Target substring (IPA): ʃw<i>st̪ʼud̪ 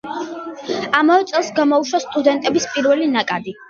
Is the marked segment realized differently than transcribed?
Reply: yes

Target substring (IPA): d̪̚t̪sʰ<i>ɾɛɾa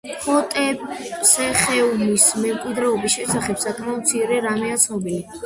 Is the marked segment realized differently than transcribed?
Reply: no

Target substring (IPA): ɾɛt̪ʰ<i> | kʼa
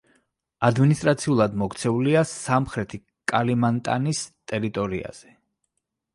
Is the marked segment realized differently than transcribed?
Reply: no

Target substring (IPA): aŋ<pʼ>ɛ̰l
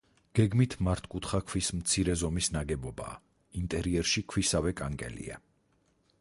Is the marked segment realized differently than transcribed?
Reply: yes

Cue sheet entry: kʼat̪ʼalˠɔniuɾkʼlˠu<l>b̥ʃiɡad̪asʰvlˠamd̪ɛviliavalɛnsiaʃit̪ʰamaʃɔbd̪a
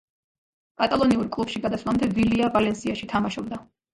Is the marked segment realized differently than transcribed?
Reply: yes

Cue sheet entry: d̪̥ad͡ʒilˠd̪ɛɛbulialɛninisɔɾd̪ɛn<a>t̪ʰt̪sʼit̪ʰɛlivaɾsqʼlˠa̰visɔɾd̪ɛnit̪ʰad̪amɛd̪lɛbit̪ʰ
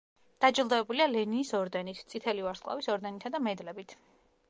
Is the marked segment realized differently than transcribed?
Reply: yes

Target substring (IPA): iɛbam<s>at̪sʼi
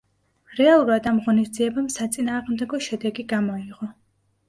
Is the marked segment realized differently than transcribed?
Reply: no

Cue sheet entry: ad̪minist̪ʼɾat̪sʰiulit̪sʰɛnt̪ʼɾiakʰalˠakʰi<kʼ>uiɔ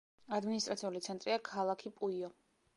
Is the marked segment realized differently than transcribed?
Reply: yes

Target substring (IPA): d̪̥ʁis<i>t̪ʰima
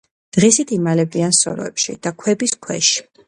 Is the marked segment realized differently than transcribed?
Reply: no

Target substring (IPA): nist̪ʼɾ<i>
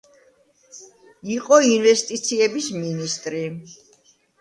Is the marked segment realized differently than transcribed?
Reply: no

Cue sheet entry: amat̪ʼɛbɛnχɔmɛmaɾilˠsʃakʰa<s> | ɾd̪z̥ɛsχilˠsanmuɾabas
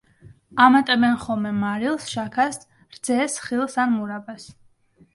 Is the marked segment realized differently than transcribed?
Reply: no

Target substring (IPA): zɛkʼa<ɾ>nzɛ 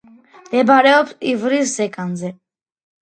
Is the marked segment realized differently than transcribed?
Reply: yes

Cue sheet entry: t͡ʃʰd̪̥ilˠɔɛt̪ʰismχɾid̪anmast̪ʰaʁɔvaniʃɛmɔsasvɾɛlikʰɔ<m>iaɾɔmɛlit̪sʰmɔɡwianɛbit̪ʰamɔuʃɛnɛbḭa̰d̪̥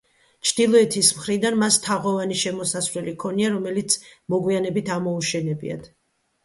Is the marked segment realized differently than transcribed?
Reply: yes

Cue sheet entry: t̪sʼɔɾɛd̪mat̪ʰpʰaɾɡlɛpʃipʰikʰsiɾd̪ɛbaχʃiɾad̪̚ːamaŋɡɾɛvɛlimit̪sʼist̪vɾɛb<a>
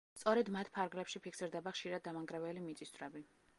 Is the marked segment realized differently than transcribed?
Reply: yes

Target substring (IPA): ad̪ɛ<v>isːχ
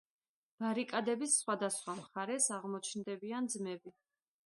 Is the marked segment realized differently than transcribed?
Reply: yes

